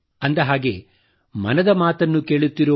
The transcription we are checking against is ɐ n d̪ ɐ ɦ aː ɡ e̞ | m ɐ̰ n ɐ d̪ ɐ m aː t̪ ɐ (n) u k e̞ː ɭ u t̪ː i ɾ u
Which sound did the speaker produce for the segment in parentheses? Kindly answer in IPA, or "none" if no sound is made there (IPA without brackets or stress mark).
nː